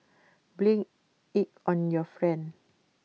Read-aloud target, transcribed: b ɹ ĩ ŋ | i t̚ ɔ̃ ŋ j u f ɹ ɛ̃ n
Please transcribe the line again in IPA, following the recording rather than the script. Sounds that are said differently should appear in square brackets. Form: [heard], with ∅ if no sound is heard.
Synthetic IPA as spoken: b [l] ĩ ŋ | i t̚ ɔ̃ [n] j [ɔ] f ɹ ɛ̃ n